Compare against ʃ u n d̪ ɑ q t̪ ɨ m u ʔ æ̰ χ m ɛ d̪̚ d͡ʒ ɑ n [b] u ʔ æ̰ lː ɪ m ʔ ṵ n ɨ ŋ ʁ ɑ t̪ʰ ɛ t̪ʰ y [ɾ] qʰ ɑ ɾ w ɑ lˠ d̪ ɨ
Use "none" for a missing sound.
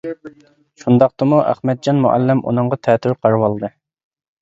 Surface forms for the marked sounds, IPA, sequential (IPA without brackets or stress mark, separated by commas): m, ɾ